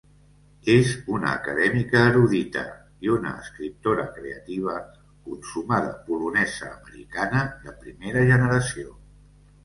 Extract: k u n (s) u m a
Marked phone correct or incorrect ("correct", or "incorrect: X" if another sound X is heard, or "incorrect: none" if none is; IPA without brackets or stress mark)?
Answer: correct